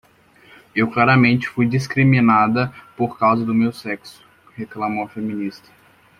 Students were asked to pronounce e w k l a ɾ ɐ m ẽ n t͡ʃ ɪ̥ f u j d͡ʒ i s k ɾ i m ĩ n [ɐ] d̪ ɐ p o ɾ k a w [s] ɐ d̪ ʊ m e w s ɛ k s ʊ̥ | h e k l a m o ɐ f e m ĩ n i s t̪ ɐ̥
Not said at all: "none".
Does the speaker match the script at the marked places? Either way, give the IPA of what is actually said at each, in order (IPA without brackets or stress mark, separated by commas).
a, z